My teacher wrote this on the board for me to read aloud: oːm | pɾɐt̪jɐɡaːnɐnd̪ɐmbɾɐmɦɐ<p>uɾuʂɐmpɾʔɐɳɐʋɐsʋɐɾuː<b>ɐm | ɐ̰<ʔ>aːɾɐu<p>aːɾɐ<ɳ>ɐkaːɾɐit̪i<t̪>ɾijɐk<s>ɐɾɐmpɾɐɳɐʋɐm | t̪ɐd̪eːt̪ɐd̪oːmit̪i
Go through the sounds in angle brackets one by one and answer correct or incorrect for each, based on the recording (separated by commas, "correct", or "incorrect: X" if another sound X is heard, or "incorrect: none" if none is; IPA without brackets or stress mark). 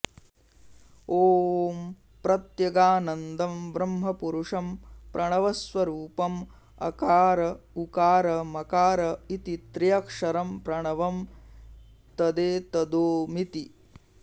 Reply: correct, incorrect: p, incorrect: k, incorrect: k, incorrect: m, correct, incorrect: ʂ